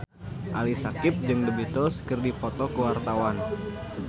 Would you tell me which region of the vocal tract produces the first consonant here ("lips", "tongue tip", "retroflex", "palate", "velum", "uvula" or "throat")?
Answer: throat